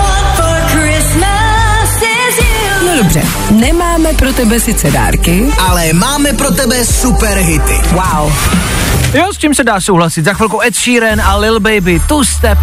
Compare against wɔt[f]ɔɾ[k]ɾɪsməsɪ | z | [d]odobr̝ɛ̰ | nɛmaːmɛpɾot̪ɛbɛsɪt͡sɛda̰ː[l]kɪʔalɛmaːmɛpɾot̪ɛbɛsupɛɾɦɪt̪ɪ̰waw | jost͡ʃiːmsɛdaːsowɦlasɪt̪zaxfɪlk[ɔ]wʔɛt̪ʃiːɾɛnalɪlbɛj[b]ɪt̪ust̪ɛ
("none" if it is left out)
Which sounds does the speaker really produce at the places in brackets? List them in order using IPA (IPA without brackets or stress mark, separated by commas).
f, k, n, ɾ, o, b